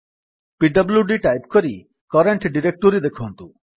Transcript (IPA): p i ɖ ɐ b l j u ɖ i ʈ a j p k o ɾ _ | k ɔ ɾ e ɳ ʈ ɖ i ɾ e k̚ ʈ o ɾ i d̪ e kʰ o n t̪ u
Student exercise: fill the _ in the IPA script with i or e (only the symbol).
i